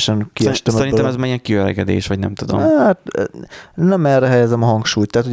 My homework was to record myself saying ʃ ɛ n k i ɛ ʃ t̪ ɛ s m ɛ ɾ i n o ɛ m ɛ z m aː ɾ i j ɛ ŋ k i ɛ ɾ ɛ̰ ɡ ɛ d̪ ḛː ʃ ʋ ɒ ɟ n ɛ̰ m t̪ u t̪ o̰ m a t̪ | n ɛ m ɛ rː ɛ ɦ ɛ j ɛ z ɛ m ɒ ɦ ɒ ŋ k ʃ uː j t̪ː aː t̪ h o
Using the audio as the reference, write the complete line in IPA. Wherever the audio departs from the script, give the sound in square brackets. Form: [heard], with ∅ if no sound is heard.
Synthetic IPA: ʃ ɛ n k i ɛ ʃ t̪ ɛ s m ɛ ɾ i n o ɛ m ɛ z m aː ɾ i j ɛ ŋ k i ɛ ɾ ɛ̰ ɡ ɛ d̪ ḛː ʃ ʋ ɒ ɟ n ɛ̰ m t̪ u [d̪] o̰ m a t̪ | n ɛ m ɛ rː ɛ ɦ ɛ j ɛ z ɛ m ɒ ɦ ɒ ŋ k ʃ uː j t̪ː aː t̪ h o